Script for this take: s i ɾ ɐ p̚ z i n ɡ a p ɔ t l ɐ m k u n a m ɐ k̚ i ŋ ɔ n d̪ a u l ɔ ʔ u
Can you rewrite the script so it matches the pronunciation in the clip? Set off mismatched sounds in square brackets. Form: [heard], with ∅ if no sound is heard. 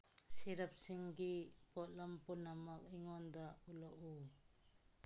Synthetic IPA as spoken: s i ɾ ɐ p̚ [s] i [ŋ] ɡ [i] p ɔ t l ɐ m [p] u n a m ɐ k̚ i ŋ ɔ n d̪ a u l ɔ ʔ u